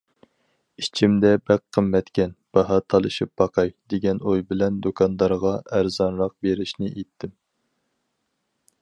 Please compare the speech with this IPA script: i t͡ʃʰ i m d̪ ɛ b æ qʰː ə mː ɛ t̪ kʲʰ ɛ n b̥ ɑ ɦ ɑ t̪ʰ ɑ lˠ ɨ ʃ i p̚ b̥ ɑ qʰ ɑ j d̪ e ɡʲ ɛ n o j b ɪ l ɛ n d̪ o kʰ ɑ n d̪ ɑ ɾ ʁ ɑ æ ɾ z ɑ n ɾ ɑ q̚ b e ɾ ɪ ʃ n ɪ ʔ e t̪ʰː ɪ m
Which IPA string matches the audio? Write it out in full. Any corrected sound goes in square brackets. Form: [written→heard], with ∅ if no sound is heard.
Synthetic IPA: i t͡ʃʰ i m d̪ ɛ b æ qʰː ə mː ɛ t̪ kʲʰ ɛ n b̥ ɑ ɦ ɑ t̪ʰ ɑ lˠ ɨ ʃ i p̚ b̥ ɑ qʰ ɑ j d̪ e ɡʲ ɛ n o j b ɪ l ɛ n d̪ o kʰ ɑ n d̪ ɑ ɾ ʁ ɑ æ ɾ z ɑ n ɾ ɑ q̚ b e ɾ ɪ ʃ n ɪ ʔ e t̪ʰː ɪ m

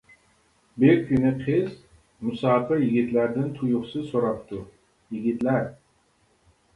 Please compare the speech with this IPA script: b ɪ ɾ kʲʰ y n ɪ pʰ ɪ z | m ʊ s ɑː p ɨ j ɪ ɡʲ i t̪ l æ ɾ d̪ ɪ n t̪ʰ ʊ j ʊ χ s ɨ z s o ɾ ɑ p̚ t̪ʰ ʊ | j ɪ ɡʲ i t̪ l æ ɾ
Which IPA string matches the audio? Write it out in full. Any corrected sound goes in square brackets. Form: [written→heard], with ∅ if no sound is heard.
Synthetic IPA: b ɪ ɾ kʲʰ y n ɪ [pʰ→qʰ] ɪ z | m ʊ s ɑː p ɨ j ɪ ɡʲ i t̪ l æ ɾ d̪ ɪ n t̪ʰ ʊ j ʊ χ s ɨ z s o ɾ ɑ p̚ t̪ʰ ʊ | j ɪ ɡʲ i t̪ l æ ɾ

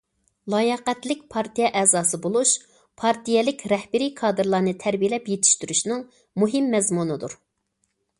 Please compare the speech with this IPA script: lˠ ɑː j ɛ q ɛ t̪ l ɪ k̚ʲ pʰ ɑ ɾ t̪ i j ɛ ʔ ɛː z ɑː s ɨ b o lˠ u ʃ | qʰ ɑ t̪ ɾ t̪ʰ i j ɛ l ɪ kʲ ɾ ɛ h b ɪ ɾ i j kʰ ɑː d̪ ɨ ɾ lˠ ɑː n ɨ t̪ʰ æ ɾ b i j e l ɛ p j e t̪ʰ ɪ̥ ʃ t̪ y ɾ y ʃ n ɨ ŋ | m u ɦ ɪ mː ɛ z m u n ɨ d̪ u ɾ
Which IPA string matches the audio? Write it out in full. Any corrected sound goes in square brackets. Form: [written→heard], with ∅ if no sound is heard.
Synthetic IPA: lˠ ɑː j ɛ q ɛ t̪ l ɪ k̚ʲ pʰ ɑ ɾ t̪ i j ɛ ʔ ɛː z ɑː s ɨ b o lˠ u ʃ | [qʰ→pʰ] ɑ [t̪→∅] ɾ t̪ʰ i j ɛ l ɪ kʲ ɾ ɛ h b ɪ ɾ i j kʰ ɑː d̪ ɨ ɾ lˠ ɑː n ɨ t̪ʰ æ ɾ b i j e l ɛ p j e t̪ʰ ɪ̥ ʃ t̪ y ɾ y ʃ n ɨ ŋ | m u ɦ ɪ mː ɛ z m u n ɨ d̪ u ɾ

